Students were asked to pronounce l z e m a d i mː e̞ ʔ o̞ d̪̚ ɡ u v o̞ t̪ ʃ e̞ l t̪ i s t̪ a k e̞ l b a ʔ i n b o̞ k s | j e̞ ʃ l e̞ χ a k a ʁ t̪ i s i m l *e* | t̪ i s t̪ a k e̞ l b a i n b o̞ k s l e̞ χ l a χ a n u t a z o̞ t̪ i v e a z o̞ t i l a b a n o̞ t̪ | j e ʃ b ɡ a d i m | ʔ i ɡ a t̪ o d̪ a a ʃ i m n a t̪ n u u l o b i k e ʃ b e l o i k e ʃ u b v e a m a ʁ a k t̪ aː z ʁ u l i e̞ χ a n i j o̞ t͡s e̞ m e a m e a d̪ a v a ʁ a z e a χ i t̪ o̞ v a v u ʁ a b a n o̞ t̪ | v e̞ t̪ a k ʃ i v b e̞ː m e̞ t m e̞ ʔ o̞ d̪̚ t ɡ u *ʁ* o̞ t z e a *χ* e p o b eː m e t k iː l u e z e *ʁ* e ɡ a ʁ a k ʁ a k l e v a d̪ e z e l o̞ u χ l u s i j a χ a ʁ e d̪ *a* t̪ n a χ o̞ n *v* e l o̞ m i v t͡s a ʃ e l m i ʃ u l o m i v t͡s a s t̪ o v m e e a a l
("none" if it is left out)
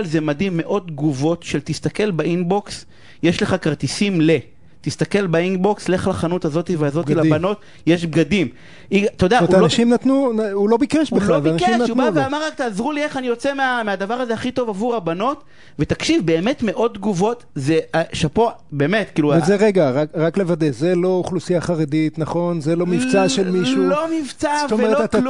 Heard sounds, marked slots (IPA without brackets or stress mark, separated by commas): e, v, ʃ, ʁ, i, z